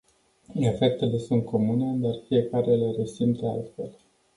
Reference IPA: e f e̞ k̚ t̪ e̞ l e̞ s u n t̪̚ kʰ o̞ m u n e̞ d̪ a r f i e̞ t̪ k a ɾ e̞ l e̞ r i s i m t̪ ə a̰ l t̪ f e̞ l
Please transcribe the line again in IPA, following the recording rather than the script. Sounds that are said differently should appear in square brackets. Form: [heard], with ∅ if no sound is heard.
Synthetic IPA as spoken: e f e̞ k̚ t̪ e̞ l e̞ s u n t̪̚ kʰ o̞ m u n e̞ d̪ a r f i e̞ [∅] k a ɾ e̞ l e̞ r [e] s i m t̪ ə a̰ l t̪ f e̞ l

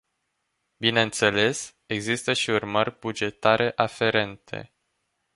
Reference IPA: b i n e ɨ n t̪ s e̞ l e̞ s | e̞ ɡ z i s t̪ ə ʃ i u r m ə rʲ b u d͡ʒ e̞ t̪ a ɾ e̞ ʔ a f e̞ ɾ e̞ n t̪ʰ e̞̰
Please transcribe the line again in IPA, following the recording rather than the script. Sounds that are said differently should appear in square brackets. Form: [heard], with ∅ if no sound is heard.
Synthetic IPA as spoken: b i n e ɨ n t̪ s e̞ l e̞ s | e̞ ɡ z i s t̪ ə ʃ i u r m ə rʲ b u d͡ʒ e̞ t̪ a ɾ e̞ ʔ a f e̞ ɾ e̞ n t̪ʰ e̞̰

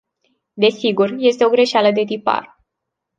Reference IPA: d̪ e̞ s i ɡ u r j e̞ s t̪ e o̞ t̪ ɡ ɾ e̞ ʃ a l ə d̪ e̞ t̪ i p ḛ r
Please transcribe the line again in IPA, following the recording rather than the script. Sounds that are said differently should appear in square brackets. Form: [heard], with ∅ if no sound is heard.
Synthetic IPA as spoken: d̪ e̞ s i ɡ u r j e̞ s t̪ e o̞ [∅] ɡ ɾ e̞ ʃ a l ə d̪ e̞ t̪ i p [a̰] r

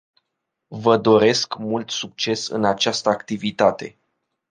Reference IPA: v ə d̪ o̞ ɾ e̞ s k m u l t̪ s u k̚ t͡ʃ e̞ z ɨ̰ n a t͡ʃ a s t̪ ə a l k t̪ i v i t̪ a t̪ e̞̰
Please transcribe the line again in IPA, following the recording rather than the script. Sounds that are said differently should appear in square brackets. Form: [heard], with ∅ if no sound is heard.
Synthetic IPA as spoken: v ə d̪ o̞ ɾ e̞ s k m u l t̪ s u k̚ t͡ʃ e̞ [s] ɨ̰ n a t͡ʃ a s t̪ ə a [∅] k t̪ i v i t̪ a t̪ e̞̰

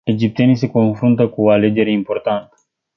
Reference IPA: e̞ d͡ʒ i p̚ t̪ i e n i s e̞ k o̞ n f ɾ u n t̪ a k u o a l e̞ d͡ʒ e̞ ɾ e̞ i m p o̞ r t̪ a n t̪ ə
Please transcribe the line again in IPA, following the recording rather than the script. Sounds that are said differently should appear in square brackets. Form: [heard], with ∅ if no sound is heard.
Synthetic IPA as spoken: e̞ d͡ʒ i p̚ t̪ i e n i s e̞ k o̞ n f ɾ u n t̪ [ə] k u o a l e̞ d͡ʒ e̞ ɾ e̞ i m p o̞ r t̪ a n t̪ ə

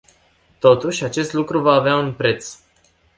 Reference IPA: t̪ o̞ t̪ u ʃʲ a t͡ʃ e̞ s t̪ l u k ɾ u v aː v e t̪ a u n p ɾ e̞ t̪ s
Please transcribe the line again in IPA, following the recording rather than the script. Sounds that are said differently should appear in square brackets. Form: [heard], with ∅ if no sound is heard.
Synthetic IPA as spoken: t̪ o̞ t̪ u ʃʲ a t͡ʃ e̞ s t̪ l u k ɾ u v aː v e [∅] a u n p ɾ e̞ t̪ s

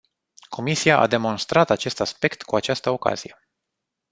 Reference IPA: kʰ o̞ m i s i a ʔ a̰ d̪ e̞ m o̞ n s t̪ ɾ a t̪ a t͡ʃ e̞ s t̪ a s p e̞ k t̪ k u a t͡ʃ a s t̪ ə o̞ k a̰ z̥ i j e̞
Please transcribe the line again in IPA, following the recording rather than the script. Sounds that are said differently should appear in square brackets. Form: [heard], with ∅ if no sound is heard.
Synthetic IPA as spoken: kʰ o̞ m i s i a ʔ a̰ d̪ e̞ m o̞ n s t̪ ɾ a t̪ a t͡ʃ e̞ s t̪ a s p e̞ k t̪ k u a t͡ʃ a s t̪ ə o̞ k a̰ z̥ i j e̞

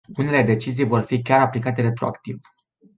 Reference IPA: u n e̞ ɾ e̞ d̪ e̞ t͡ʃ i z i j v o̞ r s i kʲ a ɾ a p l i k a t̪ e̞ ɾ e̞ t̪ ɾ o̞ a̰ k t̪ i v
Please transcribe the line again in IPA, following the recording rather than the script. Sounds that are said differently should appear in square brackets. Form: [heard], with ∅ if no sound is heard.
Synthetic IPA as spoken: u n e̞ [l] e̞ d̪ e̞ t͡ʃ i z i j v o̞ r [f] i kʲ a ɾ a p l i k a t̪ e̞ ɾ e̞ t̪ ɾ o̞ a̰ k t̪ i v

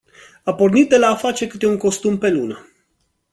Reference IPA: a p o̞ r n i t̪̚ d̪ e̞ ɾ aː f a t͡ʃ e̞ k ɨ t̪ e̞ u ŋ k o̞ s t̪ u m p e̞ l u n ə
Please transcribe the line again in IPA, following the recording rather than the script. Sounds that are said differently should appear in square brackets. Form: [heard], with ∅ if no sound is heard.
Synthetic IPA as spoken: a p o̞ r n i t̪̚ d̪ e̞ [l] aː f a t͡ʃ e̞ k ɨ t̪ e̞ u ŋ k o̞ s t̪ u m p e̞ l u n ə

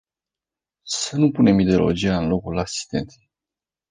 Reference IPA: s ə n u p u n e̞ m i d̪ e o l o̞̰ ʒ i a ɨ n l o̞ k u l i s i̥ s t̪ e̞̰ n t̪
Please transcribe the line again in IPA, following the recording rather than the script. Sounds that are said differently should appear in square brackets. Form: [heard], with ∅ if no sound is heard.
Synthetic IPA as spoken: s ə n u p u n e̞ m i d̪ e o l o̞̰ [d͡ʒ] i a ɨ n l o̞ k u l [a] s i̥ s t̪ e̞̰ n t̪

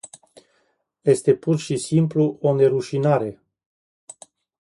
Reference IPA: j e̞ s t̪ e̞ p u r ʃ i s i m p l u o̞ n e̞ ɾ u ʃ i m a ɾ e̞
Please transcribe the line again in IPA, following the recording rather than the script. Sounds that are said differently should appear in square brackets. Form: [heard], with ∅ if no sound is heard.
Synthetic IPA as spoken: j e̞ s t̪ e̞ p u r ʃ i s i m p l u o̞ n e̞ ɾ u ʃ i [n] a ɾ e̞

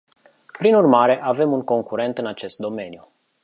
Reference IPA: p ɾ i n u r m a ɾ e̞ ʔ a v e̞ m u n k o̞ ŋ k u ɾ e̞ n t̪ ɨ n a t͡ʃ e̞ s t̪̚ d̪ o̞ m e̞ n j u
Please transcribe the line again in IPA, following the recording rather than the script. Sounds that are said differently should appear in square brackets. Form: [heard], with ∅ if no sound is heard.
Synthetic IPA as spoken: p ɾ i n u r m a ɾ e̞ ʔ a v e̞ m u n k o̞ ŋ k u ɾ e̞ n t̪ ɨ n a t͡ʃ e̞ s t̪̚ d̪ o̞ m e̞ n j u

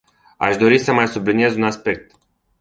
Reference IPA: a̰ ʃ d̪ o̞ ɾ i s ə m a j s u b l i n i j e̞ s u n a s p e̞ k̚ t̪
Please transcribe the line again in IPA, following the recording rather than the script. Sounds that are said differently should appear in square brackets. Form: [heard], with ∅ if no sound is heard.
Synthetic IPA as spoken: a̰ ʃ d̪ o̞ ɾ i s ə m a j s u b l i n i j e̞ [z] u n a s p e̞ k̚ t̪

